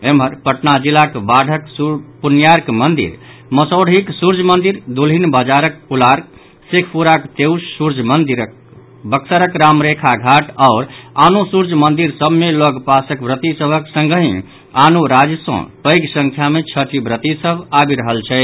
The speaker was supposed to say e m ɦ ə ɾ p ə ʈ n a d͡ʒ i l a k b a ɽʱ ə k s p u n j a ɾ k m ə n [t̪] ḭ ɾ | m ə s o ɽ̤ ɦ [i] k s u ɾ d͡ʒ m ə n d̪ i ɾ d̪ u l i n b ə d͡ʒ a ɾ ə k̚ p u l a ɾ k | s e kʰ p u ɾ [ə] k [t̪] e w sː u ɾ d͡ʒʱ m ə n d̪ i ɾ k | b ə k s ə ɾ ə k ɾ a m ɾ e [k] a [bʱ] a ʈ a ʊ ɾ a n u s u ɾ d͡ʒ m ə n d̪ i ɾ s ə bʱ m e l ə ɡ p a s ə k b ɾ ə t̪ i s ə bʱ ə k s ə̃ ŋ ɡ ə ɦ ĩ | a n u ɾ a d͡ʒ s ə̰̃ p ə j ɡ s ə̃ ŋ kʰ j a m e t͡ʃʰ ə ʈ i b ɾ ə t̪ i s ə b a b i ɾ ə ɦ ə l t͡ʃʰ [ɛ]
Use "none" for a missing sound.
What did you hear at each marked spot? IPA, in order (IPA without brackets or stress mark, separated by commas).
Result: d̪, i, a, t̪, kʰ, ɡʱ, ɛ